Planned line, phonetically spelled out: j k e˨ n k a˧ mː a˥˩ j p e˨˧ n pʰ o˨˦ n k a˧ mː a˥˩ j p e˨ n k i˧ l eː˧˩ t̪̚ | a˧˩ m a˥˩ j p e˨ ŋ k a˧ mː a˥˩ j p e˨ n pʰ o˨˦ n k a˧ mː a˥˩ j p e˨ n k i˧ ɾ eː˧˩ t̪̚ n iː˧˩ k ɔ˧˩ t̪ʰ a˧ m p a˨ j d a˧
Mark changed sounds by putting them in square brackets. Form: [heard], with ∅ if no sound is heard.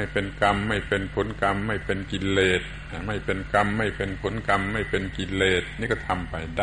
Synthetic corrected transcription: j [p] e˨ n k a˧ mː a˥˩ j p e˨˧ n pʰ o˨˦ n k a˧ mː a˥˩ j p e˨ n k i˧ l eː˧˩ t̪̚ | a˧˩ m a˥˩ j p e˨ [n] k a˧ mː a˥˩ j p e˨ n pʰ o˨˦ n k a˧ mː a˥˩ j p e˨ n k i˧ [l] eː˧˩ t̪̚ n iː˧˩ k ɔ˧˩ t̪ʰ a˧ m p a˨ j d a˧